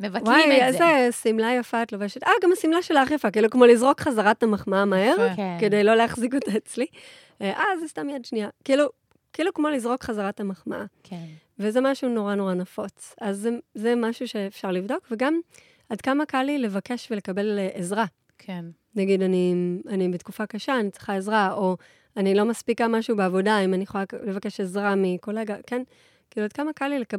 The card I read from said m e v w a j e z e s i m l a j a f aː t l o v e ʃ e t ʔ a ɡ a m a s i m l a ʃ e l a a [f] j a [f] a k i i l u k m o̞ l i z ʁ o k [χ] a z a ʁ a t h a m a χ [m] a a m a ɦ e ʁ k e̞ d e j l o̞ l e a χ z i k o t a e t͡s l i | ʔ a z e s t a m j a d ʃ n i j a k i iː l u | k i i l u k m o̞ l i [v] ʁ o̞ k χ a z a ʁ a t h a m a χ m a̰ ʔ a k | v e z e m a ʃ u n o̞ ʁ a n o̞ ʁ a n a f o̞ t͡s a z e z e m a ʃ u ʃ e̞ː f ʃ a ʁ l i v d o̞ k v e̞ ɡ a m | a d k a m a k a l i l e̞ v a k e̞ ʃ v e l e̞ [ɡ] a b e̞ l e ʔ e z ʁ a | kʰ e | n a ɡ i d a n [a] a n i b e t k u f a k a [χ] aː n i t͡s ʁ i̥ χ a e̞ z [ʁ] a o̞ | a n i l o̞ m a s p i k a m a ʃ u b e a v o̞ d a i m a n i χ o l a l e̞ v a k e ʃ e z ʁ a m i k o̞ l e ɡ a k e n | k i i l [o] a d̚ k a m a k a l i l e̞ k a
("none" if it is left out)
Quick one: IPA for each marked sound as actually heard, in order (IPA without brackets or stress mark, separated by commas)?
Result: χ, f, χ, m, z, k, i, ʃ, ʁ, u